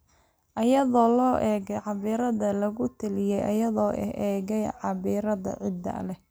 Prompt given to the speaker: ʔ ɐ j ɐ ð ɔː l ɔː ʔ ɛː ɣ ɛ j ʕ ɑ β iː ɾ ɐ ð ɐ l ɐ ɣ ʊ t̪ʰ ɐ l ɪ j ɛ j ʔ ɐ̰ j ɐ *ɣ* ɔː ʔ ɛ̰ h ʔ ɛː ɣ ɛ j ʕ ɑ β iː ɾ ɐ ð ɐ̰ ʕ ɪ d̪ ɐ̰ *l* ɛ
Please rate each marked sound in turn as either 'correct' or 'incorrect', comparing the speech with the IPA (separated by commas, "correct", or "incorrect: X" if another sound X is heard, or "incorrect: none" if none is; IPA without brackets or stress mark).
incorrect: ð, correct